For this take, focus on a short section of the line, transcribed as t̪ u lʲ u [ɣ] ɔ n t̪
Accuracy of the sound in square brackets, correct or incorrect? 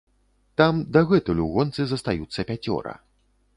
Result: correct